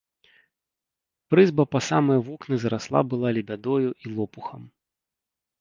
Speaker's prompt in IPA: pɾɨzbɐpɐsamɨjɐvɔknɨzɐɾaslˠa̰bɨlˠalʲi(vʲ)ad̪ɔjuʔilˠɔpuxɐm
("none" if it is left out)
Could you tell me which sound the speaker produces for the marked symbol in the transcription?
bʲ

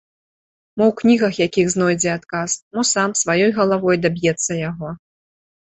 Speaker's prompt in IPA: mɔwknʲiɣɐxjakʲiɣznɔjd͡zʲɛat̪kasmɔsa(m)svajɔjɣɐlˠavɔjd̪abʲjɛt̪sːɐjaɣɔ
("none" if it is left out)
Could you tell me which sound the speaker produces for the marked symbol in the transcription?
m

